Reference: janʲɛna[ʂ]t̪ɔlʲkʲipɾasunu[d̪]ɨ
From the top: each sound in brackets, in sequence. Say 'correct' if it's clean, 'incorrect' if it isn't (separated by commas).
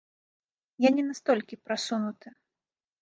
incorrect, incorrect